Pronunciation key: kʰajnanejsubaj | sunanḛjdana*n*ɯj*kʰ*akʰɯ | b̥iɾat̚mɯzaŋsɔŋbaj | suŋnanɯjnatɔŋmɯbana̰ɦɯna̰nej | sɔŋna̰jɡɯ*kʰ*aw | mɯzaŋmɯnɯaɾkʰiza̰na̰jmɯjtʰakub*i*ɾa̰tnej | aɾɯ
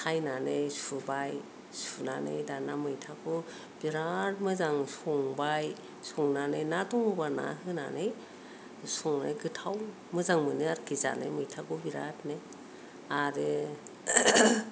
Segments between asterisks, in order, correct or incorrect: incorrect, incorrect, incorrect, correct

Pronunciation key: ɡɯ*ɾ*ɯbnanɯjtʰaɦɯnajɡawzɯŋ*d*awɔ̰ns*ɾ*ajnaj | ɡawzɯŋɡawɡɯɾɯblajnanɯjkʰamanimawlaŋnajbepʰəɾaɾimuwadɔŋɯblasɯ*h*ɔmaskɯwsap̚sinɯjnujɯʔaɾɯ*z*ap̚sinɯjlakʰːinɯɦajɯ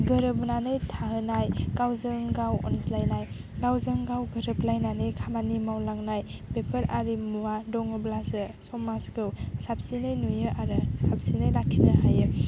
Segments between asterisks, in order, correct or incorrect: correct, incorrect, incorrect, incorrect, incorrect

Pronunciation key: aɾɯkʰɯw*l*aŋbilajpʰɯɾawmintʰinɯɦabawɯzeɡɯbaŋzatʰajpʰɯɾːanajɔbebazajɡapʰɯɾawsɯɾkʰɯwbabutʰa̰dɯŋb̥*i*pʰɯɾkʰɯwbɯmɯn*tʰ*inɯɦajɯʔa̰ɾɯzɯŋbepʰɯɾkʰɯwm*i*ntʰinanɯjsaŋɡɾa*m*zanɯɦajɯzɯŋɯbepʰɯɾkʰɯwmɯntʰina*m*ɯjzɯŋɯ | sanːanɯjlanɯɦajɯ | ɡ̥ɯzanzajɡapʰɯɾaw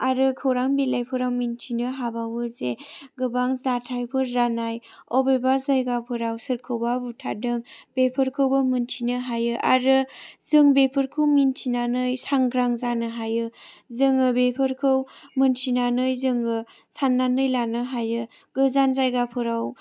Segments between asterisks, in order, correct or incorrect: incorrect, incorrect, correct, correct, incorrect, incorrect

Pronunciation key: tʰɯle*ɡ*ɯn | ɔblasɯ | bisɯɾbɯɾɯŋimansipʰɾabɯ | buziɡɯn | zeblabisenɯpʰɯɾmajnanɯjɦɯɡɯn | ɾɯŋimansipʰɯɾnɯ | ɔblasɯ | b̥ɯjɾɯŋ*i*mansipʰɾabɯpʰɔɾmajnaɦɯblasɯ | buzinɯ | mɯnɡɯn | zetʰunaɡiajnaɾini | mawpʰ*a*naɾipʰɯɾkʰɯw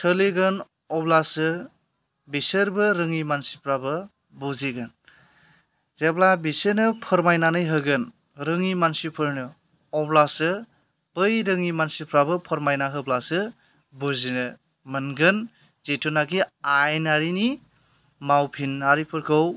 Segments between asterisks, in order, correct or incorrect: correct, correct, incorrect

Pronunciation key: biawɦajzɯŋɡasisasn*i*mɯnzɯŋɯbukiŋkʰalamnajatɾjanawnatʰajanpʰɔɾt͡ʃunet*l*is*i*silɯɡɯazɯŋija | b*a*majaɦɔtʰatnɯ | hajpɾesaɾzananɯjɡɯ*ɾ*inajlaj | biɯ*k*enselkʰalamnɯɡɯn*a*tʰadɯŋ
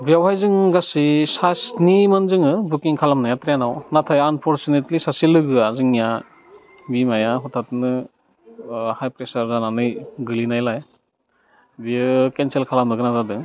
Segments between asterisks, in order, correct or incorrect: correct, correct, incorrect, incorrect, incorrect, correct, correct

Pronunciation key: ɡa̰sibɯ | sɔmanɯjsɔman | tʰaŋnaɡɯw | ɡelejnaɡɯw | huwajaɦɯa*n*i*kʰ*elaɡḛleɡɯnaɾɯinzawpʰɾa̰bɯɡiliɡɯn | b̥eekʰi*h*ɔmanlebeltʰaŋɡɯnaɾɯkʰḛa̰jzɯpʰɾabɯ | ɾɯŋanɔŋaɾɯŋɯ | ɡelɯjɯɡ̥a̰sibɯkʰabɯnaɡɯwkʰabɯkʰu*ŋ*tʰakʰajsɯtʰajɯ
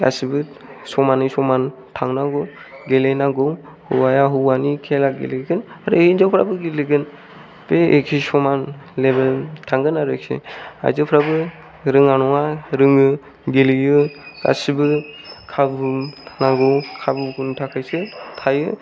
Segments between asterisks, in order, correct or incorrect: correct, correct, incorrect, incorrect

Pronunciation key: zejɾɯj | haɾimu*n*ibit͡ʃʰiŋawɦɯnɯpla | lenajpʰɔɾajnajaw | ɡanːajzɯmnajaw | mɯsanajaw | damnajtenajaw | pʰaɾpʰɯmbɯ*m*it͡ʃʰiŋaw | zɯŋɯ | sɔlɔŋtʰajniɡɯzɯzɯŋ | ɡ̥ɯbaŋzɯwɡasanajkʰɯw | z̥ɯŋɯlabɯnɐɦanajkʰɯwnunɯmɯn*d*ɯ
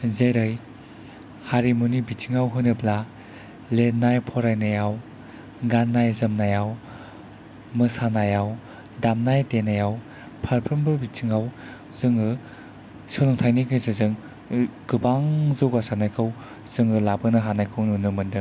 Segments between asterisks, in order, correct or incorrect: correct, incorrect, correct

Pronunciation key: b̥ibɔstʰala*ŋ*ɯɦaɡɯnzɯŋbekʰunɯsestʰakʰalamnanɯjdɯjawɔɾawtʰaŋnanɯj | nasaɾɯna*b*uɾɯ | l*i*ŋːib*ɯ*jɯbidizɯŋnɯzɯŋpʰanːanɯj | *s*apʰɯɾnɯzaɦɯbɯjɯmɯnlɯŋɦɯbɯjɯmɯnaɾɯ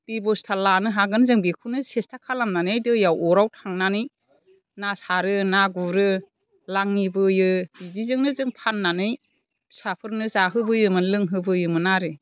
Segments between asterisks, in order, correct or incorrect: incorrect, incorrect, incorrect, correct, correct

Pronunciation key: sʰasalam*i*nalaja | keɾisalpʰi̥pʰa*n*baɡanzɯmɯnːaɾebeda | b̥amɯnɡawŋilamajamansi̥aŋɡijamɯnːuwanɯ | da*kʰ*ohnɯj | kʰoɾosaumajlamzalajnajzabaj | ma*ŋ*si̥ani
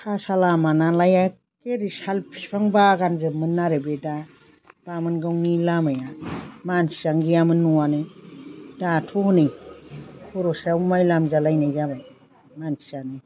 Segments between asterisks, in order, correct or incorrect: incorrect, incorrect, incorrect, incorrect

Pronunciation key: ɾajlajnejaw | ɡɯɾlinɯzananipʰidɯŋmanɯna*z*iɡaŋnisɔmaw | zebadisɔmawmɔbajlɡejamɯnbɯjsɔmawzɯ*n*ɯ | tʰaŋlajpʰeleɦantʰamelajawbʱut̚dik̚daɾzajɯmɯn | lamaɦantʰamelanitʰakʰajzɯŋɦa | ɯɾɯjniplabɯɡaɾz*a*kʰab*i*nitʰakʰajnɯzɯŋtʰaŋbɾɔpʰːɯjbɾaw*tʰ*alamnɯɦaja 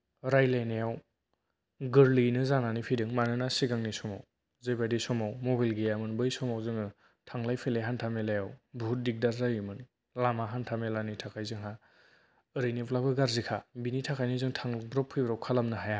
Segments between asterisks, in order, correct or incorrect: incorrect, incorrect, incorrect, correct, incorrect

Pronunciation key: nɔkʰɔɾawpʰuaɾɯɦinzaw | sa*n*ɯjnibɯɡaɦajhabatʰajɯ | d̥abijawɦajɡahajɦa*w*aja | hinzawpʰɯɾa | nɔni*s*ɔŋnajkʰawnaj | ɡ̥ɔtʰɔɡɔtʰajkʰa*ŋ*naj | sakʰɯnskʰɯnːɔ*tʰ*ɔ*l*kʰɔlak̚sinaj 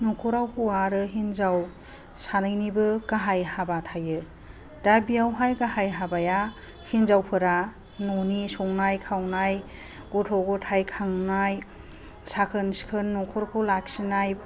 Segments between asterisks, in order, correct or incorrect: correct, incorrect, correct, correct, incorrect, incorrect

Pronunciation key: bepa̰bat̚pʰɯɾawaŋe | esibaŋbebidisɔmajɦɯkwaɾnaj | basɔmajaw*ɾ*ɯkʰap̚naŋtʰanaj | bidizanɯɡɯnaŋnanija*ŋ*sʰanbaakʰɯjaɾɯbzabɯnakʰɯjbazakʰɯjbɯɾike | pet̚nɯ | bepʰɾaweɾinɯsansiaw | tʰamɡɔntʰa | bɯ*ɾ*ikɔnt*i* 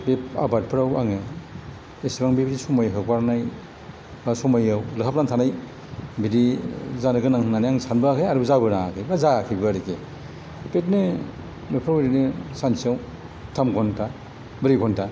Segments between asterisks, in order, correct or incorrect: incorrect, correct, correct, incorrect

